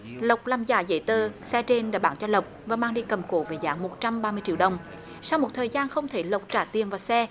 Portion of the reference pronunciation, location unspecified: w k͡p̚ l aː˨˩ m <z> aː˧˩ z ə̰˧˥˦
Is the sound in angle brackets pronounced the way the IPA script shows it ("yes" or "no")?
yes